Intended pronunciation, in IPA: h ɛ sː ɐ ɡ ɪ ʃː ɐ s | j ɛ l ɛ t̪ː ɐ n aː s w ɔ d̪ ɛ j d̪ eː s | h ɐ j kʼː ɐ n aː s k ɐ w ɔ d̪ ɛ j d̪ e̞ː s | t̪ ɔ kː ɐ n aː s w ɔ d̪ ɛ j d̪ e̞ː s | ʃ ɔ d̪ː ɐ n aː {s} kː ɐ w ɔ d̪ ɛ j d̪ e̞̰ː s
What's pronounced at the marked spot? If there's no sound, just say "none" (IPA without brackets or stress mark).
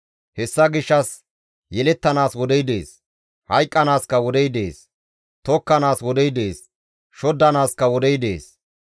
s